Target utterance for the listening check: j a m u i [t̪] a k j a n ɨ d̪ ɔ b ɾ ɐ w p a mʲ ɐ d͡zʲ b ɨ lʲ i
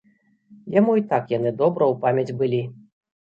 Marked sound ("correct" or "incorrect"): correct